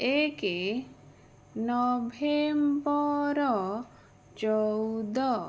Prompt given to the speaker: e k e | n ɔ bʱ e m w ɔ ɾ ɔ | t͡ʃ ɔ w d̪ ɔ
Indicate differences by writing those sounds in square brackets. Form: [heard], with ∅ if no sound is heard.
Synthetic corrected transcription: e k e | n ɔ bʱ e m [b] ɔ ɾ ɔ | t͡ʃ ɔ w d̪ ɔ